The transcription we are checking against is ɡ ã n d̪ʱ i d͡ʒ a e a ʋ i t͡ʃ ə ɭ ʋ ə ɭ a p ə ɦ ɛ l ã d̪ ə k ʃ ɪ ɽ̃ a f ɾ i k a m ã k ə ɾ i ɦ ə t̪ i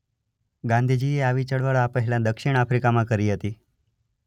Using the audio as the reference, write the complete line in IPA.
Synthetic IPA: ɡ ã n d̪ʱ i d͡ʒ i e a ʋ i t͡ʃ ə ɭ ʋ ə ɭ a p ə ɦ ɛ l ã d̪ ə k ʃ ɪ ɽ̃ a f ɾ i k a m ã k ə ɾ i ɦ ə t̪ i